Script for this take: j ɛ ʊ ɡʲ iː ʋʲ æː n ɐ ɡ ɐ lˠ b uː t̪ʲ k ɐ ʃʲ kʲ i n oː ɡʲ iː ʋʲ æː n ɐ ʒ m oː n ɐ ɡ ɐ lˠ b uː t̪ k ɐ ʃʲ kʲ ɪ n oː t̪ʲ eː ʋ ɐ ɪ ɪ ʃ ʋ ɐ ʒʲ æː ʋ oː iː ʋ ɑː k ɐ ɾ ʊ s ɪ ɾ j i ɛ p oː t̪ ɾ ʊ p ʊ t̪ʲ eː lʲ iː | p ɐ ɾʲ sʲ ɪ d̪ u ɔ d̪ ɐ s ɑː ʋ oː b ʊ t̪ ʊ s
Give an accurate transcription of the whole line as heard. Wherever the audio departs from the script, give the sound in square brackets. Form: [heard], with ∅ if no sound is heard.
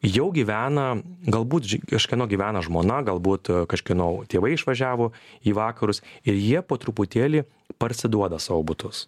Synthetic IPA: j ɛ ʊ ɡʲ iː ʋʲ æː n ɐ ɡ ɐ lˠ b uː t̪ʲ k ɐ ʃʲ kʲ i n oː ɡʲ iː ʋʲ æː n ɐ ʒ m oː n ɐ ɡ ɐ lˠ b uː t̪ k ɐ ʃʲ kʲ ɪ n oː t̪ʲ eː ʋ ɐ ɪ ɪ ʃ ʋ ɐ ʒʲ æː ʋ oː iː ʋ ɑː k ɐ ɾ ʊ s ɪ ɾ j i ɛ p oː t̪ ɾ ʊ p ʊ t̪ʲ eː lʲ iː | p ɐ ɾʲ sʲ ɪ d̪ u ɔ d̪ ɐ s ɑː ʋ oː b ʊ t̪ ʊ s

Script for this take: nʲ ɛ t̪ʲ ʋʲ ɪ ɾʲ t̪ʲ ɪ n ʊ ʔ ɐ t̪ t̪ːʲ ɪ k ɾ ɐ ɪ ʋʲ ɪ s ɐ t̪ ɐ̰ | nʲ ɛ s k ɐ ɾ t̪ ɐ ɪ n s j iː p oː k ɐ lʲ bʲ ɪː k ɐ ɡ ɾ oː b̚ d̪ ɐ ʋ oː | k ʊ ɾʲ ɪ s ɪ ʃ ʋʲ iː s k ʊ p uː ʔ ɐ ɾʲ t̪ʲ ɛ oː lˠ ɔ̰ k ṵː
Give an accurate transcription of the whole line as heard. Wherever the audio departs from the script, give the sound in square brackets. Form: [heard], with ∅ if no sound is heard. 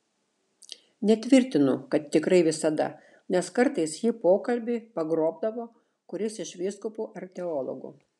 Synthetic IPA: nʲ ɛ t̪ʲ ʋʲ ɪ ɾʲ t̪ʲ ɪ n ʊ [k] ɐ t̪ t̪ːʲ ɪ k ɾ ɐ ɪ ʋʲ ɪ s ɐ [d̪] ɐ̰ | nʲ ɛ s k ɐ ɾ t̪ ɐ ɪ [∅] s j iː p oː k ɐ lʲ bʲ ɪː [p] ɐ ɡ ɾ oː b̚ d̪ ɐ ʋ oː | k ʊ ɾʲ ɪ s ɪ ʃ ʋʲ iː s k ʊ p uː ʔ ɐ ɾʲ t̪ʲ ɛ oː lˠ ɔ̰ [ɡ] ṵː

